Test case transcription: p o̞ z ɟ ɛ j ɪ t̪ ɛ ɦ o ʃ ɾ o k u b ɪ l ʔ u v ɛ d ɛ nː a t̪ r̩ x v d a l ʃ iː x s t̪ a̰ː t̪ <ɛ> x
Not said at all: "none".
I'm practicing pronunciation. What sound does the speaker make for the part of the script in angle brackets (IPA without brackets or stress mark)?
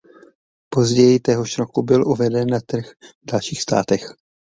ɛ